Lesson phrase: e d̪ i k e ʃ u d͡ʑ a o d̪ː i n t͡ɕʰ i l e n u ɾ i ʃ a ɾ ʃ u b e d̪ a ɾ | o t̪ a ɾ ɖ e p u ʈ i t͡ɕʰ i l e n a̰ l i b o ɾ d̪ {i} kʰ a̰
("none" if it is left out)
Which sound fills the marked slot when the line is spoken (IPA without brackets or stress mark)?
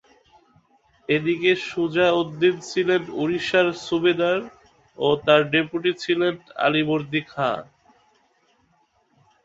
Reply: i